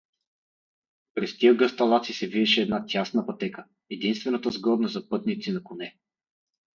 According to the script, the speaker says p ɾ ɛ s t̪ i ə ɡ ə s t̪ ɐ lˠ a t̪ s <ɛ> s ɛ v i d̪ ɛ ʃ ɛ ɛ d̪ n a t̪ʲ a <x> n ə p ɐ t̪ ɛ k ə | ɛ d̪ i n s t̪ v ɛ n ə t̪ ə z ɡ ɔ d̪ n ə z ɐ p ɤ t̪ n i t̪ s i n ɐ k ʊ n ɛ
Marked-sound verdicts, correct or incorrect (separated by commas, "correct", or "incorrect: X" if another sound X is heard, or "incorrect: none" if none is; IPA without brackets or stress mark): incorrect: i, incorrect: s